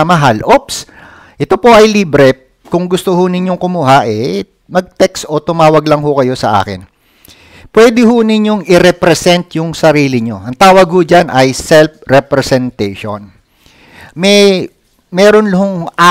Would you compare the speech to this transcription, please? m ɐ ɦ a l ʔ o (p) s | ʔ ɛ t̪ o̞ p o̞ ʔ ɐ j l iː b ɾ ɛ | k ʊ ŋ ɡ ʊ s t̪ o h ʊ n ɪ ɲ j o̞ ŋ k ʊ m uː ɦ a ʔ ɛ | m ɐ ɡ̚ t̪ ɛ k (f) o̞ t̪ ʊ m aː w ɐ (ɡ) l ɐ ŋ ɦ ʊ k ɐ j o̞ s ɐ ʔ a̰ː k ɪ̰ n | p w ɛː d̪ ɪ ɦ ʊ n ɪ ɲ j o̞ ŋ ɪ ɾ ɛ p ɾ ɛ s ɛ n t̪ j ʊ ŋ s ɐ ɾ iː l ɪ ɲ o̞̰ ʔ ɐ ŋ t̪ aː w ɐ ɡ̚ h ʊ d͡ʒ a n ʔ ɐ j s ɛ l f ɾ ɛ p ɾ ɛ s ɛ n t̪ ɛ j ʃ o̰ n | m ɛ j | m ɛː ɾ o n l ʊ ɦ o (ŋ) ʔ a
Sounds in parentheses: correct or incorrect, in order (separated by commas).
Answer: correct, incorrect, correct, correct